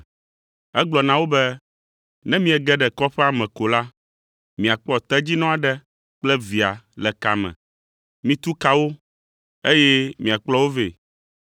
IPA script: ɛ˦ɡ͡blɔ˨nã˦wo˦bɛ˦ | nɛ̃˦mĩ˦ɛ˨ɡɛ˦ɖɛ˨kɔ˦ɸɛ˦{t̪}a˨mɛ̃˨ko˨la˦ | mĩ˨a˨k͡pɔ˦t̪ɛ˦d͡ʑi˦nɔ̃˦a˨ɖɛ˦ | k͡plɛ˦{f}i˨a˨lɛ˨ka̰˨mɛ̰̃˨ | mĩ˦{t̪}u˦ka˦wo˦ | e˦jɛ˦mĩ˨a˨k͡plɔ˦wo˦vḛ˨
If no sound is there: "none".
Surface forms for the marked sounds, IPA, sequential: none, v, t̪

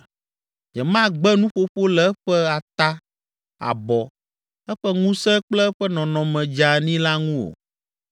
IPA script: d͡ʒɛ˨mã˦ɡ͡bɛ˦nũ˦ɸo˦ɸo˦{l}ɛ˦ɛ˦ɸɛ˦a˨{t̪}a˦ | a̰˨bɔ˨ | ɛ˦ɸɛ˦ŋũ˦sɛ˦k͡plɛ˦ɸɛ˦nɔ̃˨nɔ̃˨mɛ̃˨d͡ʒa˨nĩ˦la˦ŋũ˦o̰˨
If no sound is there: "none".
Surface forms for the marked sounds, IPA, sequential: l, t̪

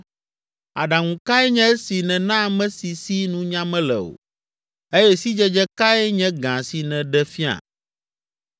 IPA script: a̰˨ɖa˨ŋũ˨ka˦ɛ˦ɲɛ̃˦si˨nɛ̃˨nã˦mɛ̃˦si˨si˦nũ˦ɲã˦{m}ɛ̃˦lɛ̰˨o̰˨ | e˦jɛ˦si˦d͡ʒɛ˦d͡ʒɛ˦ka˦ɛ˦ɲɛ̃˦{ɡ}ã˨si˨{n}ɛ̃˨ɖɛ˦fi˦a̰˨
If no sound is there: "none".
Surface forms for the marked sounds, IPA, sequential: m, ɡ, n

